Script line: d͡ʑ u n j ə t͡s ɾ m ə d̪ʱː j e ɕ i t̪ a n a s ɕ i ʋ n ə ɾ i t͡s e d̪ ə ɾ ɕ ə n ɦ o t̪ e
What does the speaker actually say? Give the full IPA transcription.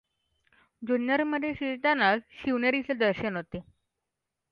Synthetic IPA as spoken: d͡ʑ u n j ə ɾ m ə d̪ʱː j e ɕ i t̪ a n a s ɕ i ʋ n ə ɾ i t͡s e d̪ ə ɾ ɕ ə n ɦ o t̪ e